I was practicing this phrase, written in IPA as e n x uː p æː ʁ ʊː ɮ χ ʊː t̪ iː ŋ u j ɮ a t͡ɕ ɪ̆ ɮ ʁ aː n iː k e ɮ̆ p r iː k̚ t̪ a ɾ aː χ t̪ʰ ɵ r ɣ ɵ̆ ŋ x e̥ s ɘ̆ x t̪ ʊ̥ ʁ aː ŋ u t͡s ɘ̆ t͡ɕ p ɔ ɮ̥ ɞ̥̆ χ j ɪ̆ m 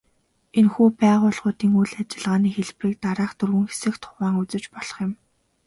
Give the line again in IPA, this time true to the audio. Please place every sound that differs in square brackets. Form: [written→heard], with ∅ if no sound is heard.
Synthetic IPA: e n x uː p æː ʁ ʊː ɮ [χ→ʁ] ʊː t̪ iː ŋ u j ɮ a t͡ɕ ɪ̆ ɮ ʁ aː n iː [k→x] e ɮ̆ p r iː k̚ t̪ a ɾ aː χ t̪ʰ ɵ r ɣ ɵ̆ ŋ x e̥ s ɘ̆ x [t̪→t̪ʰ] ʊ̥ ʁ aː ŋ u t͡s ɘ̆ t͡ɕ p ɔ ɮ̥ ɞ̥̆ χ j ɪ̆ m